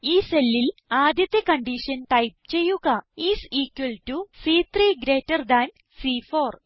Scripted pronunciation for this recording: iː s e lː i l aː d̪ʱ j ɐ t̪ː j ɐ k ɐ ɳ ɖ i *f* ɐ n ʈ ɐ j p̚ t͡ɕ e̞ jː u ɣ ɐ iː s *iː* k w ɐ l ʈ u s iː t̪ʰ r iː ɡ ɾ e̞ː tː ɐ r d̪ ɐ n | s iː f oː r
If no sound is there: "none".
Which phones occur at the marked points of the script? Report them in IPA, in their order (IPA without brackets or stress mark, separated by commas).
ʂ, iː